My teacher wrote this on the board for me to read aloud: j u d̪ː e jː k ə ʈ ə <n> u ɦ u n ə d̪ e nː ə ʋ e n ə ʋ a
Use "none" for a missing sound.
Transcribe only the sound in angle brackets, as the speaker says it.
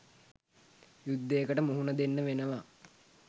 m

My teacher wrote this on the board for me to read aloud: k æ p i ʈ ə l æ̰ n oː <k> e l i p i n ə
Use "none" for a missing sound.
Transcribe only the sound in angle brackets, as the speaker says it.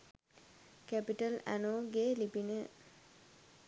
ɡ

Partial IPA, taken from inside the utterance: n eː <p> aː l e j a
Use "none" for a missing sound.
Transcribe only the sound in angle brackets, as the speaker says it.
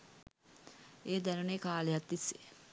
k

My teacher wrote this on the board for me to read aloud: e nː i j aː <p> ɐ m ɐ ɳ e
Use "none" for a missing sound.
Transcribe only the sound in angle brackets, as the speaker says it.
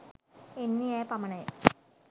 p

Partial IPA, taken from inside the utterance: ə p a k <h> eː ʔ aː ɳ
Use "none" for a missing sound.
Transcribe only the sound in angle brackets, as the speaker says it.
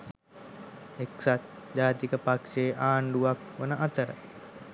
ʂ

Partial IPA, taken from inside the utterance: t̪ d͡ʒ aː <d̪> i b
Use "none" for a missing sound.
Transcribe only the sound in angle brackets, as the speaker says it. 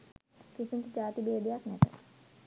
t̪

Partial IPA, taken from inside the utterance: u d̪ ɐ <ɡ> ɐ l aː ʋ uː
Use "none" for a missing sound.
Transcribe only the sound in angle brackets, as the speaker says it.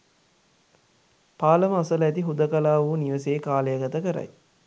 k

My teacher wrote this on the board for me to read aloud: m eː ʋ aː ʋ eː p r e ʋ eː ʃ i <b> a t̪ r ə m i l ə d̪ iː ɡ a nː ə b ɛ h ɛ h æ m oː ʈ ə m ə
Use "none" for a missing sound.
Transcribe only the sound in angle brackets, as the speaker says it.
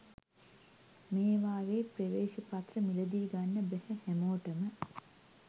p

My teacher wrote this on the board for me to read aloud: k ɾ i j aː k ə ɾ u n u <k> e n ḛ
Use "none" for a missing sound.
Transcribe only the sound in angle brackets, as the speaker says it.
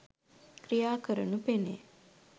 p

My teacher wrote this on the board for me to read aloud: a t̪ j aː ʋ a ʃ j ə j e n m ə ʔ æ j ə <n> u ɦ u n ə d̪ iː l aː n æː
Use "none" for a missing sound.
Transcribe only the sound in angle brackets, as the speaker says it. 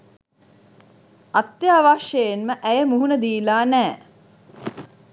m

